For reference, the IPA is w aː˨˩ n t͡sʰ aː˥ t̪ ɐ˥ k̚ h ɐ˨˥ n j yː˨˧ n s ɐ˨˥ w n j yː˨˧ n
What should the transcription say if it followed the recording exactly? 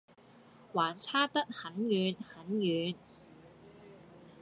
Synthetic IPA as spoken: w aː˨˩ n t͡sʰ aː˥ t̪ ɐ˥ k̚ h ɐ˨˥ n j yː˨˧ n h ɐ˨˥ n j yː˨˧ n